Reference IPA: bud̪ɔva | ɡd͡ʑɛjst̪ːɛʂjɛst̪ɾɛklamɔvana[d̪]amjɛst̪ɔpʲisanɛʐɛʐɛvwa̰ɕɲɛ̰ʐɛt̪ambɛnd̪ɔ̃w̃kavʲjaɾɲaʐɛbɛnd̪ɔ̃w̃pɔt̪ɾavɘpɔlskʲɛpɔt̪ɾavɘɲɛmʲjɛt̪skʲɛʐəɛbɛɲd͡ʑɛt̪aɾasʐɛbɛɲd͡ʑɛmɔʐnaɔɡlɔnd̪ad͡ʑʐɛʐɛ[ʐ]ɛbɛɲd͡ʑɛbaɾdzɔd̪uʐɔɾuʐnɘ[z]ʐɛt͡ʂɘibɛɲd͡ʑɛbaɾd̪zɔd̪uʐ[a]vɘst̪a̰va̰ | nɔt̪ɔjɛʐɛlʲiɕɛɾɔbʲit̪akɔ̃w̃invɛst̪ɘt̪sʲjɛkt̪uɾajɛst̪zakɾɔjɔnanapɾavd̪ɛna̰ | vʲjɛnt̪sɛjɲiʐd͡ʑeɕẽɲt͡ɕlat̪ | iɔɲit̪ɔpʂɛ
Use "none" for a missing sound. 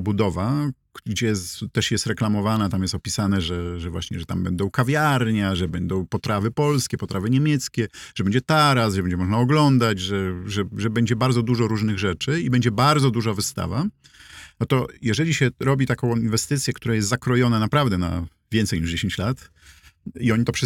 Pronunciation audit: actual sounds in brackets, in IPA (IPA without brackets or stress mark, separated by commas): t̪, ʐ, ɣ, a